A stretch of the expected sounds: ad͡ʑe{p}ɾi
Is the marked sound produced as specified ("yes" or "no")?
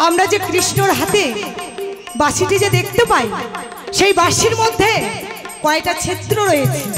no